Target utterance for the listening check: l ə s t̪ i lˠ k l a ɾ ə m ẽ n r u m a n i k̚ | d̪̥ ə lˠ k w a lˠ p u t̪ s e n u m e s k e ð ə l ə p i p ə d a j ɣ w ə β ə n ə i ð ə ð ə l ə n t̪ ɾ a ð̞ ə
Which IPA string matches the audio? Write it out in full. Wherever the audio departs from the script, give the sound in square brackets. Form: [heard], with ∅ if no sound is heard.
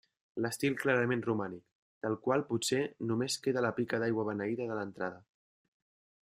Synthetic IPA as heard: l ə s t̪ i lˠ k l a ɾ ə m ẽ n r u m a n i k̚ | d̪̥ ə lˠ k w a lˠ p u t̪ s e n u m e s k e ð ə l ə p i [k] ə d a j ɣ w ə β ə n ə i ð ə ð ə l ə n t̪ ɾ a ð̞ ə